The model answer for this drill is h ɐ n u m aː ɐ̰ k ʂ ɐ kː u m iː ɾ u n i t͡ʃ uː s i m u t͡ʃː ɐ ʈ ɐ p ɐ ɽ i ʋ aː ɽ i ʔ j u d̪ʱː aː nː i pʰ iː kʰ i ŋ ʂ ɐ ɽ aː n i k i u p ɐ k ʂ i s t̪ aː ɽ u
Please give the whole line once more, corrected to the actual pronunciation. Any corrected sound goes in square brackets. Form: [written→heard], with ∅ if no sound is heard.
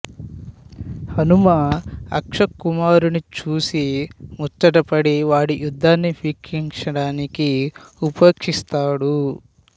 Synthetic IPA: h ɐ n u m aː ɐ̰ k ʂ ɐ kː u m [iː→aː] ɾ u n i t͡ʃ uː s i m u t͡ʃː ɐ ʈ ɐ p ɐ ɽ i ʋ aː ɽ i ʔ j u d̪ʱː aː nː i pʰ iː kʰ i ŋ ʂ ɐ ɽ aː n i k i u p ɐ k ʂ i s t̪ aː ɽ u

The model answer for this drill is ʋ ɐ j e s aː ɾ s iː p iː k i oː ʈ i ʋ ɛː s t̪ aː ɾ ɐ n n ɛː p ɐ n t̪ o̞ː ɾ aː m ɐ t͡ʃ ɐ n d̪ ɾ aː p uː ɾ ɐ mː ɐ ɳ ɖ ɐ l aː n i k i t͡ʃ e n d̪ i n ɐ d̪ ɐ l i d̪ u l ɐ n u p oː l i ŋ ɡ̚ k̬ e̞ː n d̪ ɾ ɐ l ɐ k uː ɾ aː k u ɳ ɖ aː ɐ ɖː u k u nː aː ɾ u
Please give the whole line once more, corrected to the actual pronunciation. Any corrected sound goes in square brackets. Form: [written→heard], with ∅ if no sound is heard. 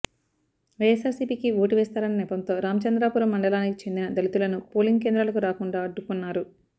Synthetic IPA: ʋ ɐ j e s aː ɾ s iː p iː k i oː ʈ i ʋ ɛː s t̪ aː ɾ ɐ n n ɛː p ɐ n t̪ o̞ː ɾ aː m ɐ t͡ʃ ɐ n d̪ ɾ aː p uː ɾ ɐ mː ɐ ɳ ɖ ɐ l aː n i k i t͡ʃ e n d̪ i n ɐ d̪ ɐ l i [d̪→t̪] u l ɐ n u p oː l i ŋ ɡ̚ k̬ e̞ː n d̪ ɾ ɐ l ɐ k [uː→u] ɾ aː k u ɳ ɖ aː ɐ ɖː u k u nː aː ɾ u

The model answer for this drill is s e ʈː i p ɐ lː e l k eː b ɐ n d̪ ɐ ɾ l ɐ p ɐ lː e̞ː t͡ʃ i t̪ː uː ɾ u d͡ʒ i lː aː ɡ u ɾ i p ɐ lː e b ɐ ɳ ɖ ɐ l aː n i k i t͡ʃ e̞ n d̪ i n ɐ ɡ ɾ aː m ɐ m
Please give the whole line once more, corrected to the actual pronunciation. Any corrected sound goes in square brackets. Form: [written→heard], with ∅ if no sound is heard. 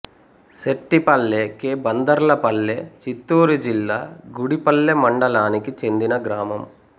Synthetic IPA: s e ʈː i p ɐ lː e [l→∅] k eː b ɐ n d̪ ɐ ɾ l ɐ p ɐ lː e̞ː t͡ʃ i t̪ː uː ɾ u d͡ʒ i lː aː ɡ u [ɾ→ɽ] i p ɐ lː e [b→m] ɐ ɳ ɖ ɐ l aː n i k i t͡ʃ e̞ n d̪ i n ɐ ɡ ɾ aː m ɐ m

